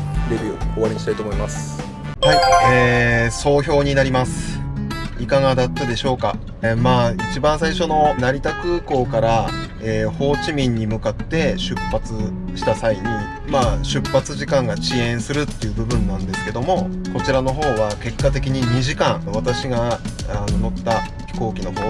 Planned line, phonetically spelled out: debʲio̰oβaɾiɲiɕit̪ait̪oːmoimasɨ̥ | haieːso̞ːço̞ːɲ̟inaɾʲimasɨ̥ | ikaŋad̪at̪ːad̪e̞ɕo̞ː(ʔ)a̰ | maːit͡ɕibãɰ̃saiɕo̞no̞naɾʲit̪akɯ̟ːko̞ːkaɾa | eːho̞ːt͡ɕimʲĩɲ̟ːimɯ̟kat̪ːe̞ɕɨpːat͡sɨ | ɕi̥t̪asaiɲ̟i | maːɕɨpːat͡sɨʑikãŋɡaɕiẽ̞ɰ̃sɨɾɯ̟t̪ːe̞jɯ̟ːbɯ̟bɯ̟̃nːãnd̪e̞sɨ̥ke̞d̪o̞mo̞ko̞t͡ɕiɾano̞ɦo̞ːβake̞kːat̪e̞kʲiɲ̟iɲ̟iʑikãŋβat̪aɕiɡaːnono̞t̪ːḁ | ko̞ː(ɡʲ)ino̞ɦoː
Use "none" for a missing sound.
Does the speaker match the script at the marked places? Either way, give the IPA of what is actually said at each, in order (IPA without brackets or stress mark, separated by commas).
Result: k, kʲ